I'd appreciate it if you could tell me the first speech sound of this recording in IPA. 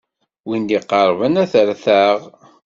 w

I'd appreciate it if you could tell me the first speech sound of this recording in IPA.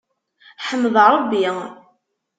ħ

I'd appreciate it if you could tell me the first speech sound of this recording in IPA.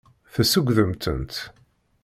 θ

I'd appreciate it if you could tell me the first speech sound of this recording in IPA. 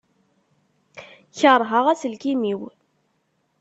ç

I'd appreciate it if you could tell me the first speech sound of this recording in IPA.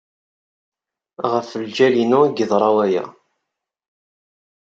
ʁ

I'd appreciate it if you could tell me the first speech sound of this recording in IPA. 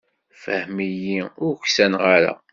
f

